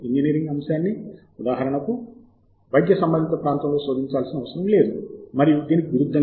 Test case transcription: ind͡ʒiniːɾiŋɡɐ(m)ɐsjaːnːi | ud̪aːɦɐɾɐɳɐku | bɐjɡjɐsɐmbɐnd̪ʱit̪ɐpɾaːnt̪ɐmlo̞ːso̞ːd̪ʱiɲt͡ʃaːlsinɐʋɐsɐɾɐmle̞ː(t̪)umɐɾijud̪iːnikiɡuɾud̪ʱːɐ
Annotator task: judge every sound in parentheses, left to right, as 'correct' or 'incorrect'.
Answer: correct, incorrect

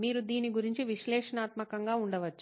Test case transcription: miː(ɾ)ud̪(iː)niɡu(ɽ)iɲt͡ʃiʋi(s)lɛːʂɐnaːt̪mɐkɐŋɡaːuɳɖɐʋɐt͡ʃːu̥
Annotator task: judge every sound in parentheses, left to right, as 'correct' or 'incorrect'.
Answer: correct, correct, incorrect, incorrect

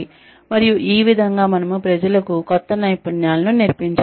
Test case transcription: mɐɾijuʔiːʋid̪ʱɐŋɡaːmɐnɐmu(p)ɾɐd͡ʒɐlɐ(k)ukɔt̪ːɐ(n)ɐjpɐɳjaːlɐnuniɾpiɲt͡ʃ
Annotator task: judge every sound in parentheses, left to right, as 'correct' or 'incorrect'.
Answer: correct, correct, correct

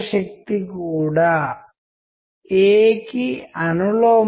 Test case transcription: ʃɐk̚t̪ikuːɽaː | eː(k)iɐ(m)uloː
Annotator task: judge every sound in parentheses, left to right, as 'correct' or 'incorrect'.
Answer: correct, incorrect

